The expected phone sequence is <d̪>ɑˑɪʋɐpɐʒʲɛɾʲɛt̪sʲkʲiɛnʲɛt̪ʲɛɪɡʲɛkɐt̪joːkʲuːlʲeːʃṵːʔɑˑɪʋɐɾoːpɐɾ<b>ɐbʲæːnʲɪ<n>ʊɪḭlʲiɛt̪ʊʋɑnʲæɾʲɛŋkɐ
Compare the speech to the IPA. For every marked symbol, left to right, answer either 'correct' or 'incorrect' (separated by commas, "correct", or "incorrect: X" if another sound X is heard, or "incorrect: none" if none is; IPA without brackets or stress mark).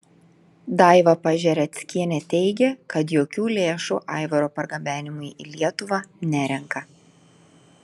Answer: correct, incorrect: ɡ, incorrect: m